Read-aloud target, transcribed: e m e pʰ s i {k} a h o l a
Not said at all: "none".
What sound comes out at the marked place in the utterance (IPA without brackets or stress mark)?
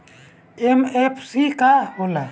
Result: k